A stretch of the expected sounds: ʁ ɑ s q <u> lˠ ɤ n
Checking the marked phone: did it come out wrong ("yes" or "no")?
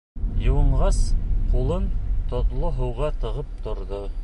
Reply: no